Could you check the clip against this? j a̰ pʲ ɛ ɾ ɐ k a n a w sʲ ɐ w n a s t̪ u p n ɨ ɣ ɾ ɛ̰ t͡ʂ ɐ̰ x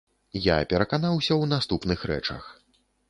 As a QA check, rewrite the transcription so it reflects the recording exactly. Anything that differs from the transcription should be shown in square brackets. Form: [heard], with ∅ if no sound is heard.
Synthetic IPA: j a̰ pʲ ɛ ɾ ɐ k a n a w sʲ ɐ w n a s t̪ u p n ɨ [x] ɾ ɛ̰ t͡ʂ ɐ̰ x